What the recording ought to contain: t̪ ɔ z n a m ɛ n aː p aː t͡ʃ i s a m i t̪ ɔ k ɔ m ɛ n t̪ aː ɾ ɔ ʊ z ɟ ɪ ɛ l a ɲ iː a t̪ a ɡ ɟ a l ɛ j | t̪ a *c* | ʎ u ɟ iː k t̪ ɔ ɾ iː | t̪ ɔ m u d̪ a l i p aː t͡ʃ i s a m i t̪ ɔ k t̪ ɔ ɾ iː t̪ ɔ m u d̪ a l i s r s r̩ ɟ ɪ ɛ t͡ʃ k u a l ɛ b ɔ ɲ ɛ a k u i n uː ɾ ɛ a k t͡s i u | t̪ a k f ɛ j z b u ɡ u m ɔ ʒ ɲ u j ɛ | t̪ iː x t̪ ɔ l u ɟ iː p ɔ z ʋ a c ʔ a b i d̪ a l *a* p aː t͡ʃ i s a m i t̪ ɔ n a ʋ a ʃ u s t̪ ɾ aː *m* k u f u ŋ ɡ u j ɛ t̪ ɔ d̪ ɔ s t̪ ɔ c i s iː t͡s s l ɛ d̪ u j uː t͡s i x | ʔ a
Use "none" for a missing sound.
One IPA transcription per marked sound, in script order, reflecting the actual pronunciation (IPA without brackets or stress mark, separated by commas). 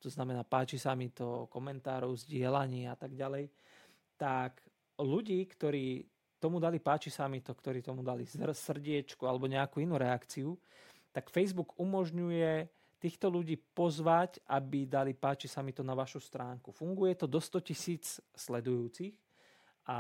k, i, ŋ